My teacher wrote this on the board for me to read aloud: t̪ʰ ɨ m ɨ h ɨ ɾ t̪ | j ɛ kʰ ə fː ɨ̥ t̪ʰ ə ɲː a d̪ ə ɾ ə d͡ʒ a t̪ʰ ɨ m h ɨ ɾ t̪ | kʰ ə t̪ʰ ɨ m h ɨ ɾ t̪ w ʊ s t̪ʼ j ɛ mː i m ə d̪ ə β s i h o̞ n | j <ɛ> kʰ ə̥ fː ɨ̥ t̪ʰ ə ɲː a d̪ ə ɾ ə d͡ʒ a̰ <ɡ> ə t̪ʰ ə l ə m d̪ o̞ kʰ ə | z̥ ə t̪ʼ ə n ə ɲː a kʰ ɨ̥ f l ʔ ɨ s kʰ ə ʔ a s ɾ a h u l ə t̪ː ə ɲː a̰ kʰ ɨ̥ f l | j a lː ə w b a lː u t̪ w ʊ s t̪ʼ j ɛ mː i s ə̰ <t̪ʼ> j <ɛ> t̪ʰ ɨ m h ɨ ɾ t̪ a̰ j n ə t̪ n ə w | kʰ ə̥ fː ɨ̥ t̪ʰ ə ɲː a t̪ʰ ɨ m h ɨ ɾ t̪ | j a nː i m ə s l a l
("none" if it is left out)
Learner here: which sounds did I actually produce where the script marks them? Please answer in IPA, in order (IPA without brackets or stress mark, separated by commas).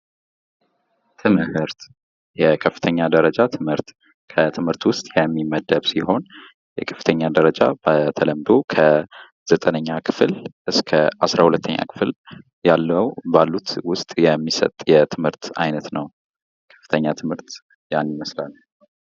ɛ, b, t̪ʼ, ɛ